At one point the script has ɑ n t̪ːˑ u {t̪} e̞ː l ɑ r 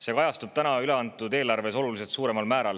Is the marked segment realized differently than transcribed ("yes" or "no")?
yes